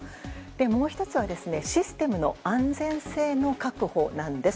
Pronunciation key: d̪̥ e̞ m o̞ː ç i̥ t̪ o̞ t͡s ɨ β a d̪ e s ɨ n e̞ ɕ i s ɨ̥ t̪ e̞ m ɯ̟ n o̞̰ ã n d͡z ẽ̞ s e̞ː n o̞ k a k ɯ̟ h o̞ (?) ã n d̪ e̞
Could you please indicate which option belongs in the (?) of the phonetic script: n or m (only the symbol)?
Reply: n